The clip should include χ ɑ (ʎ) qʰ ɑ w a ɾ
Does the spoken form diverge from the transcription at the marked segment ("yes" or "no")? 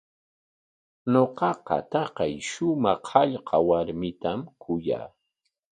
no